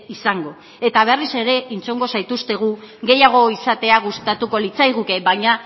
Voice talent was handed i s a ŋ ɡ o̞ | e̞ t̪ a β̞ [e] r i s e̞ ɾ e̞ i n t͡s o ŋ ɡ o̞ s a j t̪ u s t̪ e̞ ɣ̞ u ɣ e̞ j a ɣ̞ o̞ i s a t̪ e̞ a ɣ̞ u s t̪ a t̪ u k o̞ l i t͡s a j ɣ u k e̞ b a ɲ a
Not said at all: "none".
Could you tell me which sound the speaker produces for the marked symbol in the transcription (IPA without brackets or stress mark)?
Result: e